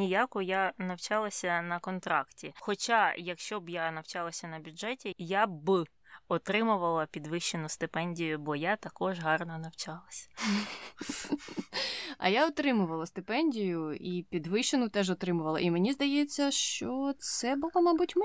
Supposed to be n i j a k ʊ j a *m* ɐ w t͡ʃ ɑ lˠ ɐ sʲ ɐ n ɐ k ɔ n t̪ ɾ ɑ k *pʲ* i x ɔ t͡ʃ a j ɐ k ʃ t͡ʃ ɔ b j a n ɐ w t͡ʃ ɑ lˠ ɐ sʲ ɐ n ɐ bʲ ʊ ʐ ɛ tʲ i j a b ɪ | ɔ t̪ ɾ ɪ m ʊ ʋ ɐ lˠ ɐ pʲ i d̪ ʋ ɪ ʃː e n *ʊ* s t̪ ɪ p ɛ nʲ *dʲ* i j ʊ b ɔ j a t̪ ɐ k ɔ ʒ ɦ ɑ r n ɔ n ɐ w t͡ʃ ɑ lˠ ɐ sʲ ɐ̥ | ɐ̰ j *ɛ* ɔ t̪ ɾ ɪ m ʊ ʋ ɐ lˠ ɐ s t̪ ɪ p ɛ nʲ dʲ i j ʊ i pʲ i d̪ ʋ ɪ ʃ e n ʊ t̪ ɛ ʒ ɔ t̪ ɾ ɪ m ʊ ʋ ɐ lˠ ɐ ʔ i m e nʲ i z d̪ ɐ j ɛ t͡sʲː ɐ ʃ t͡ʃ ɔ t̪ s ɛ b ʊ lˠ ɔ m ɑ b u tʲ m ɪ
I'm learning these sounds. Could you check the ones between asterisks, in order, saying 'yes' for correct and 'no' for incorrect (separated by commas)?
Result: no, no, yes, yes, no